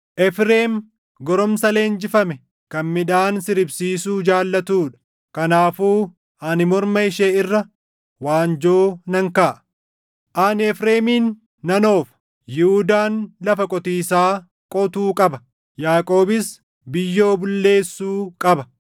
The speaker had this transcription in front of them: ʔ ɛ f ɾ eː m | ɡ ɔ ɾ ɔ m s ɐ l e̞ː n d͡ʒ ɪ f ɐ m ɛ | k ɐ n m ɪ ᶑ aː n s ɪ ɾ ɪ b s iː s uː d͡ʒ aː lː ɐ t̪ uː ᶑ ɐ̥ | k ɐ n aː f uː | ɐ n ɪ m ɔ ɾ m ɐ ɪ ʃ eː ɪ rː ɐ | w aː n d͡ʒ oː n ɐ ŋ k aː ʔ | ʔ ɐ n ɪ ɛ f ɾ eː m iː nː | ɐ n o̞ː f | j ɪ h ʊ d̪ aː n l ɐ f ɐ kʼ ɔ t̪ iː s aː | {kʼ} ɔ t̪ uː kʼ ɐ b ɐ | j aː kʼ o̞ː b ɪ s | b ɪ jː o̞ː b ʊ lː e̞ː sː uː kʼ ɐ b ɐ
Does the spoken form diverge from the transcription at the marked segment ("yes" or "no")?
no